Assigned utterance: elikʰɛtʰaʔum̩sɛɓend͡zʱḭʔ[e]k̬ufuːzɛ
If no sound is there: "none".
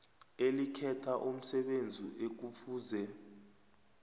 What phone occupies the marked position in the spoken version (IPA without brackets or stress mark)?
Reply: e